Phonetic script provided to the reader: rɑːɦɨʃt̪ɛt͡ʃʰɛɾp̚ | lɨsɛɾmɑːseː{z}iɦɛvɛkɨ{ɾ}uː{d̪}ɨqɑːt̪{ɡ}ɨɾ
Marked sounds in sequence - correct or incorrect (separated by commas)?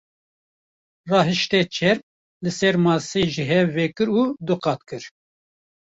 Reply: incorrect, correct, correct, incorrect